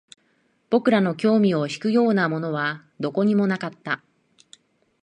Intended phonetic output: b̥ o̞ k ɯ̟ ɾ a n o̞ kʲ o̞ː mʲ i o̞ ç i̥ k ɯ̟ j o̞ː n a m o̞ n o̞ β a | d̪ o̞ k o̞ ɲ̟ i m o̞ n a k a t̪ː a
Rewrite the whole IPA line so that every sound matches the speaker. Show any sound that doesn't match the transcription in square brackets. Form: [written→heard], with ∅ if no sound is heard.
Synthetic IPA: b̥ o̞ k ɯ̟ ɾ a n o̞ kʲ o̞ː mʲ i o̞ ç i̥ k ɯ̟ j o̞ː n a m o̞ n o̞ β a | d̪ o̞ k o̞ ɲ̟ i m o̞ n a k a t̪ː a